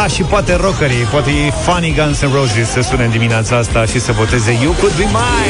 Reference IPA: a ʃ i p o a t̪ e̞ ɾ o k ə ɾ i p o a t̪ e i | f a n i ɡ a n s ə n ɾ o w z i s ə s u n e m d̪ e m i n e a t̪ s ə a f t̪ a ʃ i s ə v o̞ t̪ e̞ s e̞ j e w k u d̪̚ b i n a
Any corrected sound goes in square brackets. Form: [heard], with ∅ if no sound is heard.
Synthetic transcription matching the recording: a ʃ i p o a t̪ e̞ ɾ o k ə ɾ i p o a t̪ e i | f a n i ɡ a n s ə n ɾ o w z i s ə s u n e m d̪ [i] m i n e a t̪ s [a] a [s] t̪ a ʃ i s ə v o̞ t̪ e̞ [z] e̞ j e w k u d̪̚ b i [m] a